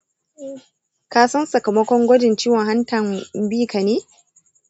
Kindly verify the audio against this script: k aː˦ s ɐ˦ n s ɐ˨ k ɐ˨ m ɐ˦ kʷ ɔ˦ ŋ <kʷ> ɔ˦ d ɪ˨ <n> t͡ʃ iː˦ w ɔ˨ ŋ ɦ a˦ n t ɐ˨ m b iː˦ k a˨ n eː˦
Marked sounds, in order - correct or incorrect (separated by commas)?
incorrect, correct